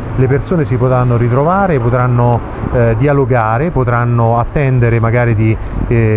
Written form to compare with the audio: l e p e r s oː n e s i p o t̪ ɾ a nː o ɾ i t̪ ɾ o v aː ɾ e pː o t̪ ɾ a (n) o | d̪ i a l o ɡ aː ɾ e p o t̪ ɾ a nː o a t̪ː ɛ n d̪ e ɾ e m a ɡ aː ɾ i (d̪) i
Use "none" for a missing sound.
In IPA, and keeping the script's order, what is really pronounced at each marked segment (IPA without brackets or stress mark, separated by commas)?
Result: nː, d̪